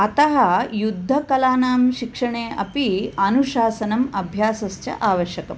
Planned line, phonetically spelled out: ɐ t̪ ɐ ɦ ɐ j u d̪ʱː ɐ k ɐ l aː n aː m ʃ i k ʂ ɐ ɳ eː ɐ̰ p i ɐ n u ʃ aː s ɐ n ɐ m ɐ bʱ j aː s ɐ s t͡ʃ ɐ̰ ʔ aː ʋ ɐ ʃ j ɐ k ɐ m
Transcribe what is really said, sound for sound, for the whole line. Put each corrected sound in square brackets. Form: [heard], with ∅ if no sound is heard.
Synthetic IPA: ɐ t̪ ɐ ɦ ɐ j u d̪ʱː ɐ k ɐ l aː n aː m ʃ i k ʂ ɐ ɳ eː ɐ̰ p i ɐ n u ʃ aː s ɐ n ɐ m ɐ bʱ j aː s ɐ s t͡ʃ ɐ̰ ʔ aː ʋ ɐ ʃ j ɐ k ɐ m